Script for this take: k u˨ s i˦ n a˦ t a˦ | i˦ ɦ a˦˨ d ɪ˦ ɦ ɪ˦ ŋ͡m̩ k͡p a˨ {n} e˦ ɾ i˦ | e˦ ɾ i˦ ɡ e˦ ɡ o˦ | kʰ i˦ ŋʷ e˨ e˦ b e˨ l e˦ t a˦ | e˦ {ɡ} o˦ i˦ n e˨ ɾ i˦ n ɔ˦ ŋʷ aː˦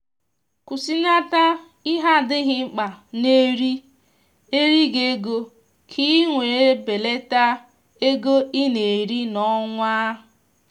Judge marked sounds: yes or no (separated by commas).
yes, yes